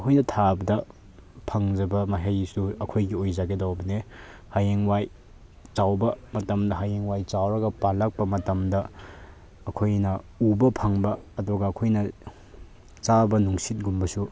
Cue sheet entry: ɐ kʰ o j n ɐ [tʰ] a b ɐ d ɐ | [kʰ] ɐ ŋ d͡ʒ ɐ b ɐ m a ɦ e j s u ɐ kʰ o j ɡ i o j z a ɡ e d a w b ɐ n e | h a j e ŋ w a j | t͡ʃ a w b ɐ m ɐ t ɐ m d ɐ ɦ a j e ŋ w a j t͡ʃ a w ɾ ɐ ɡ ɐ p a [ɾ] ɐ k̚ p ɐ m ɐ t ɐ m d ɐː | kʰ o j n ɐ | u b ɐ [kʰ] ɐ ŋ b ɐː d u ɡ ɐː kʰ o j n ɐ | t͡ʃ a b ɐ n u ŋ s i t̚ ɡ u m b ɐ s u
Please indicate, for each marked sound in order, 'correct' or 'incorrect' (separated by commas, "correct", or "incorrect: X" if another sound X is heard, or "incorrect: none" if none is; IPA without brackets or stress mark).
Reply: correct, incorrect: pʰ, incorrect: l, incorrect: pʰ